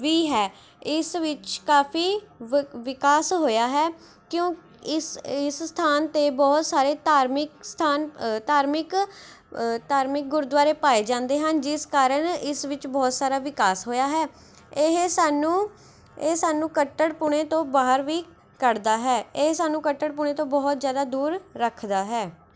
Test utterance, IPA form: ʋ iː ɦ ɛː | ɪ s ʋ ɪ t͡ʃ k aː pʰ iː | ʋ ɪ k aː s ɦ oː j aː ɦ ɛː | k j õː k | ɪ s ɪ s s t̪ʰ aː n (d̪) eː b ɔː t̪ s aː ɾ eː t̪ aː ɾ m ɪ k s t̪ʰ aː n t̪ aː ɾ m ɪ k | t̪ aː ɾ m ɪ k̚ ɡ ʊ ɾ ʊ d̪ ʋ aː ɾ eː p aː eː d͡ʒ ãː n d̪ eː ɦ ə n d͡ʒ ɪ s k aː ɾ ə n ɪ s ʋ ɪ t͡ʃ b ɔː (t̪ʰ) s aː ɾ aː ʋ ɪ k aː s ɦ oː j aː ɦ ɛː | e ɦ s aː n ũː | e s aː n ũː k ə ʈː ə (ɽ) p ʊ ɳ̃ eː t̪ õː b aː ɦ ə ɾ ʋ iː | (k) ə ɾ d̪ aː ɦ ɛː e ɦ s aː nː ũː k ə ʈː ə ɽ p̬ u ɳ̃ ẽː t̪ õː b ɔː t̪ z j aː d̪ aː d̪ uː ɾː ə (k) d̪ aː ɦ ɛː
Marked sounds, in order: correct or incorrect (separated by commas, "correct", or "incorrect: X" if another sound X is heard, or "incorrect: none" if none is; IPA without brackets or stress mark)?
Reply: incorrect: t̪, incorrect: t̪, correct, correct, incorrect: kʰ